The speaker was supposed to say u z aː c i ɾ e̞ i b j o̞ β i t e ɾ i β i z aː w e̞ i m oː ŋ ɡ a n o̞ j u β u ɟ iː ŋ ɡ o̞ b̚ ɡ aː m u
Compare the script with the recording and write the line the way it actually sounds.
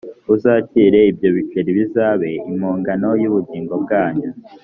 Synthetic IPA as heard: u z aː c i ɾ e̞ i b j o̞ β i t͡ʃ e ɾ i β i z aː β e̞ i m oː ŋ ɡ a n o̞ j u β u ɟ iː ŋ ɡ o̞ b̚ ɡ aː ɲ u

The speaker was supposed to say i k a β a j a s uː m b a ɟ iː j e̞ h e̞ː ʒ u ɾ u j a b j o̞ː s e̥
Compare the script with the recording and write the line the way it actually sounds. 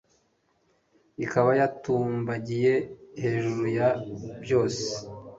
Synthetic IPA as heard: i k a β a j a t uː m b a ɟ i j e̞ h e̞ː ʒ u ɾ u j a b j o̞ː s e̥

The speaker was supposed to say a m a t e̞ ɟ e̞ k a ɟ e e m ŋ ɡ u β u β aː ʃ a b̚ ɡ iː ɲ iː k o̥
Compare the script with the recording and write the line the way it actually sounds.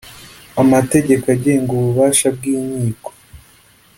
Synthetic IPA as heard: a m a t e̞ ɟ e̞ k a ɟ e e ŋ ɡ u β u β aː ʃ a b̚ ɡ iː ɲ iː k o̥

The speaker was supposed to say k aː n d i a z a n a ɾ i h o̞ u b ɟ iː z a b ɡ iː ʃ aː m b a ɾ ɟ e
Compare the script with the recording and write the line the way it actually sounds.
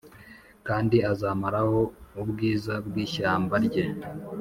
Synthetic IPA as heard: k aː n d i a z a m a ɾ a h o̞ u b ɡ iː z a b ɡ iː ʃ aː m b a ɾ ɟ e

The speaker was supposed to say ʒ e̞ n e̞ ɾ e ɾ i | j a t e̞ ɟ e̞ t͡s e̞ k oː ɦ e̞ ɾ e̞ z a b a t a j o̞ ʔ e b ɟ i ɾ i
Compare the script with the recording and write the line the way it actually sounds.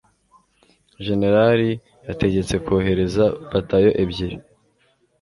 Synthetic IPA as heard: ʒ e̞ n e̞ ɾ a ɾ i | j a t e̞ ɟ e̞ t͡s e̞ k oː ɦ e̞ ɾ e̞ z a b a t a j o̞ ʔ e b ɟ i ɾ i

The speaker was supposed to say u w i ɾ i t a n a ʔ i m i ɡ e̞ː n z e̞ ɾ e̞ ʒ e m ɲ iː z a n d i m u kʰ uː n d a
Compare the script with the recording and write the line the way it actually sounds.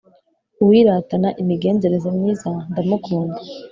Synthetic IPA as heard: u w i ɾ a t a n a ʔ i m i ɡ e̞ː n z e̞ ɾ e̞ z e m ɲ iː z a n d a m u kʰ uː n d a

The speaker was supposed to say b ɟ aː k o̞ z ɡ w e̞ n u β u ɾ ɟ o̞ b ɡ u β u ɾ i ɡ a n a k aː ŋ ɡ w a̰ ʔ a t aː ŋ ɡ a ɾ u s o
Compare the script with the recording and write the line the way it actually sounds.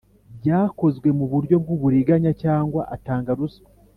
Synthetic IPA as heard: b ɟ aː k o̞ z ɡ w e̞ m u β u ɾ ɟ o̞ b ɡ u β u ɾ i ɡ a ɲ a c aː ŋ ɡ w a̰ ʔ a t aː ŋ ɡ a ɾ u s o

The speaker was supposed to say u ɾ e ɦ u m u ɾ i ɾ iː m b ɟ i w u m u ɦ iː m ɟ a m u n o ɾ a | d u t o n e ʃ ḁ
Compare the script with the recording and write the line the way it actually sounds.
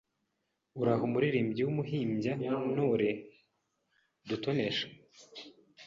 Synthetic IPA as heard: u ɾ a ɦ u m u ɾ i ɾ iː m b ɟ i w u m u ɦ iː m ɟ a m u n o ɾ e | d u t o n e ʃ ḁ

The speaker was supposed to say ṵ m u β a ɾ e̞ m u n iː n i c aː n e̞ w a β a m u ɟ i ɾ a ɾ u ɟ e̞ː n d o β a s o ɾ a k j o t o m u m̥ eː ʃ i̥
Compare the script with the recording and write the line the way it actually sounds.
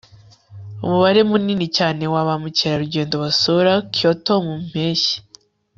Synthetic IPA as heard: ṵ m u β a ɾ e̞ m u n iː n i c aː n e̞ w a β a m u c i ɾ a ɾ u ɟ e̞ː n d o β a s o ɾ a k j o t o m u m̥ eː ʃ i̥

